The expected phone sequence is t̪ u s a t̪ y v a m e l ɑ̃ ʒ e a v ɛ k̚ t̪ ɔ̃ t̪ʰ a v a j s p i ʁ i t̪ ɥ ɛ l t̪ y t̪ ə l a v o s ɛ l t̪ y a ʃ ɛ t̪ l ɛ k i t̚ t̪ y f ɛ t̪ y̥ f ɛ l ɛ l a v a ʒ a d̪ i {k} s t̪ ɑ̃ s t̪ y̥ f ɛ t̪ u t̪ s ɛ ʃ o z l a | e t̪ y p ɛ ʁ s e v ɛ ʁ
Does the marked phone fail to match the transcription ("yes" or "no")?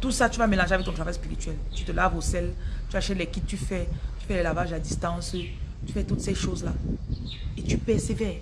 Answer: yes